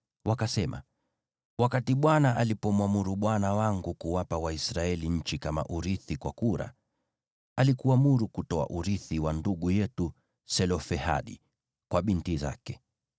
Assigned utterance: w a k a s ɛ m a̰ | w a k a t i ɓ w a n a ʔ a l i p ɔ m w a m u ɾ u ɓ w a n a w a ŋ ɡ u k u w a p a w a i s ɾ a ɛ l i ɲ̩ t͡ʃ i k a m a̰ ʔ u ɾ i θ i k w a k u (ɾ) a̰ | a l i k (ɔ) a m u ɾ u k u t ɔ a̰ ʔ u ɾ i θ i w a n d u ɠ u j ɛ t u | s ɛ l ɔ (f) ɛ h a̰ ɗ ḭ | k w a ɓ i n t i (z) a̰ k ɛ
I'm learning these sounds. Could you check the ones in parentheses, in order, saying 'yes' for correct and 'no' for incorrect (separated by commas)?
yes, no, yes, yes